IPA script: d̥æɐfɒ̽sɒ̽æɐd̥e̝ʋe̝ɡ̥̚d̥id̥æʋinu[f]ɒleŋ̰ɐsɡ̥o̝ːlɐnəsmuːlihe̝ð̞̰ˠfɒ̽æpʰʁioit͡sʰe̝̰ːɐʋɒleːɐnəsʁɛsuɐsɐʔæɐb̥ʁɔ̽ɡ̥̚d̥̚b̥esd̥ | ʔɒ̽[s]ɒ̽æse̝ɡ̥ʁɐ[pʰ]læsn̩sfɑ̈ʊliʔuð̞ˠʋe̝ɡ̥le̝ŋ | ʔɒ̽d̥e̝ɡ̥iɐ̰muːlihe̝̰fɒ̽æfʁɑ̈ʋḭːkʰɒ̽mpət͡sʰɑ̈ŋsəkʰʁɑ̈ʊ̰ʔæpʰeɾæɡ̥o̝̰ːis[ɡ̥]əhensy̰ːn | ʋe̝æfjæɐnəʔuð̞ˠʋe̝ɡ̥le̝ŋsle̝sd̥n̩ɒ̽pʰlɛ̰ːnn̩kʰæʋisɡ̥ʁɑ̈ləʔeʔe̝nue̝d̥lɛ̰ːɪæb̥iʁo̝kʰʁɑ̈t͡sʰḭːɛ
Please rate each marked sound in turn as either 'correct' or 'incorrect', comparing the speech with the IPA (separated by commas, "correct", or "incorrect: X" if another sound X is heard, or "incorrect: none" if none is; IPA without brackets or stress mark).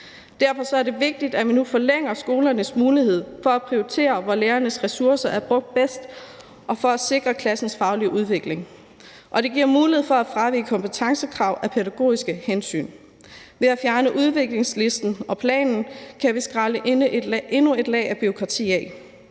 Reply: correct, incorrect: f, incorrect: kʰ, correct